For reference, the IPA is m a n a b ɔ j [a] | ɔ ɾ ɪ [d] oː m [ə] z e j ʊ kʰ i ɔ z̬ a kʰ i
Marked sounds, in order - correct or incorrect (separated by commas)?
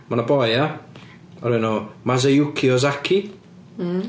correct, incorrect, incorrect